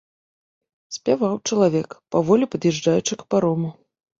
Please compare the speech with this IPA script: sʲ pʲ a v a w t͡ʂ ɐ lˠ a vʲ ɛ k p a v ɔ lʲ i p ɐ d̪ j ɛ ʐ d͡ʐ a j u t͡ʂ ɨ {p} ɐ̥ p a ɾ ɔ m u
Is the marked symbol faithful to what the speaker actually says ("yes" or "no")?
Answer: no